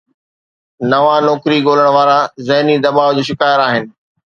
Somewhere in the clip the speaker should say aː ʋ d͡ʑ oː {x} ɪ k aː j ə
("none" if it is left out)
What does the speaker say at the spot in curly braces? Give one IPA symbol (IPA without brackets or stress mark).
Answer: ʃ